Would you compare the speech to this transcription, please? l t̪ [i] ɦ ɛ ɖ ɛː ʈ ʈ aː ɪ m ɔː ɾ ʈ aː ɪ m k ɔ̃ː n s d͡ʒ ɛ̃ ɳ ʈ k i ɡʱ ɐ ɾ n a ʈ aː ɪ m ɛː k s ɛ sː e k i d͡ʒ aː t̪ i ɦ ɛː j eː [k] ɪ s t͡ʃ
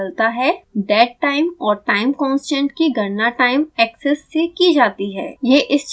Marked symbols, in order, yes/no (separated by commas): no, no